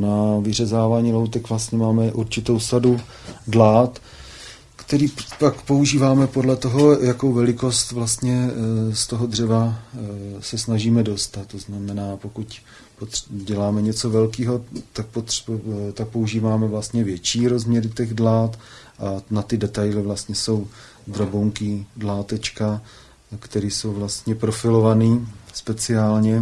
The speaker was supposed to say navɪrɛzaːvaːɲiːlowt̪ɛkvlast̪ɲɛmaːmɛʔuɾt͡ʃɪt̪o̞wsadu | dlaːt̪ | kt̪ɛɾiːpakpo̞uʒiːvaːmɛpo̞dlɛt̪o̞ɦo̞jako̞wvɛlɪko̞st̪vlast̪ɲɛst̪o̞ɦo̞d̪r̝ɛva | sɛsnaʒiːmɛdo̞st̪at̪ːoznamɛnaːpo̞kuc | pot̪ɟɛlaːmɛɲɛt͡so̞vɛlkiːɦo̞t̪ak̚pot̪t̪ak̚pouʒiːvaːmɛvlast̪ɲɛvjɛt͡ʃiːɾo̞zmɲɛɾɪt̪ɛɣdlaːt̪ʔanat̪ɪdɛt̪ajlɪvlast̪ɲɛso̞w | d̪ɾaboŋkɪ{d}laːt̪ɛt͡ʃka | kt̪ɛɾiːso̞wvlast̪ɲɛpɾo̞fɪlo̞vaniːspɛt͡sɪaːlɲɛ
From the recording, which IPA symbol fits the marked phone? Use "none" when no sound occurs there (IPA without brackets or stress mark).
d